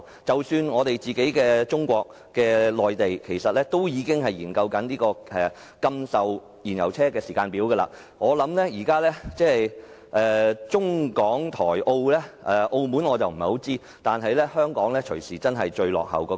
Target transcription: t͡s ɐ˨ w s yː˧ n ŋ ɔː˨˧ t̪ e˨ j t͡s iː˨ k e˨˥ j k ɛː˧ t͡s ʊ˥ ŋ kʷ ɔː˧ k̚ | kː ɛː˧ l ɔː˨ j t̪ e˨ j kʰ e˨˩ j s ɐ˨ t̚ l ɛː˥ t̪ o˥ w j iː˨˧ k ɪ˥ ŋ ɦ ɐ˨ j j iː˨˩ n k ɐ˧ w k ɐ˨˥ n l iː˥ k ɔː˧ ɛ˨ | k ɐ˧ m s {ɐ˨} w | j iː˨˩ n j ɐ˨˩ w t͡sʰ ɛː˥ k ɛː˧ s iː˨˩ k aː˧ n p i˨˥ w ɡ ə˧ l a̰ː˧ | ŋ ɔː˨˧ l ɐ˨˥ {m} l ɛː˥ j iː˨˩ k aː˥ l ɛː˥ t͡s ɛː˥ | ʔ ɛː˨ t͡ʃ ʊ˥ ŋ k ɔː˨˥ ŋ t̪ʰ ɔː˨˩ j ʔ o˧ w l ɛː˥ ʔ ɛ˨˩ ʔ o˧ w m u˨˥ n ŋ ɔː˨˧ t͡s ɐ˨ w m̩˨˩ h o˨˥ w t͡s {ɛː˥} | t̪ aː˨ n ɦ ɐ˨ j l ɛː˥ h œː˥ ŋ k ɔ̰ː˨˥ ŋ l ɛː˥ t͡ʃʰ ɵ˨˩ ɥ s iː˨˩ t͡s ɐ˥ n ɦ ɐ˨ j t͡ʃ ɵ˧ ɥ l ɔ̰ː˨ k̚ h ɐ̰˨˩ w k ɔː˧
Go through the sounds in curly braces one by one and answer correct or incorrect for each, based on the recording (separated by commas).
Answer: correct, correct, incorrect